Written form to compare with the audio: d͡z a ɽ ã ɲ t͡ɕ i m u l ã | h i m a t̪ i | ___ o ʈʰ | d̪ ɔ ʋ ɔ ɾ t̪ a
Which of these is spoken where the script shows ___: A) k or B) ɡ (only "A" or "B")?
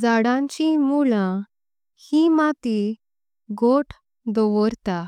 B